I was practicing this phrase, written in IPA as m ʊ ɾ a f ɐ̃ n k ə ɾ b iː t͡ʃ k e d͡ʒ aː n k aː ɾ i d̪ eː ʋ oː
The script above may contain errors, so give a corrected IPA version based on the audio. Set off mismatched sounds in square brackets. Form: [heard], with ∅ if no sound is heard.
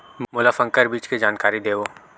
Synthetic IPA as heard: m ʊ [l] a f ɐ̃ [ŋ] k ə ɾ b iː t͡ʃ k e d͡ʒ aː n k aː ɾ i d̪ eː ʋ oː